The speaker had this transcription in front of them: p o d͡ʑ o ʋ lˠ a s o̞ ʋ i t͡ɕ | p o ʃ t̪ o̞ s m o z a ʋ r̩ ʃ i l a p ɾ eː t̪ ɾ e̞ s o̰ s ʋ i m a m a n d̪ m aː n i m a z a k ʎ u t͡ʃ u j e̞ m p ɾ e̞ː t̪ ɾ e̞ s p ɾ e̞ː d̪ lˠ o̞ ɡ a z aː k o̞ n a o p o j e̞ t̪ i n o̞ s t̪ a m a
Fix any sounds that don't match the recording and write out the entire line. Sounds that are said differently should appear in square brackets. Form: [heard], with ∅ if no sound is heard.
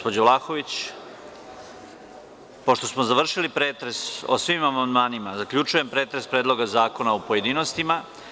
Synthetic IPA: p o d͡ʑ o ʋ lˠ a [x] o̞ ʋ i t͡ɕ | p o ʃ t̪ o̞ s m o z a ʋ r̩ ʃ i l [i] p ɾ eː t̪ ɾ e̞ s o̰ s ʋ i m a m a n d̪ m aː n i m a z a k ʎ u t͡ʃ u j e̞ m p ɾ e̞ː t̪ ɾ e̞ s p ɾ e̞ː d̪ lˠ o̞ ɡ a z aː k o̞ n a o p o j e̞ [d̪] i n o̞ s t̪ [i] m a